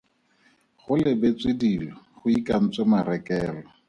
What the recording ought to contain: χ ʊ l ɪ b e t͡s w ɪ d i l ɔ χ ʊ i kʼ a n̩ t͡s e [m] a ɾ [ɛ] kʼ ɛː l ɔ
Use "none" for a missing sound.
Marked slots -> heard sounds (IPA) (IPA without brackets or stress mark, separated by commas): m, ɛ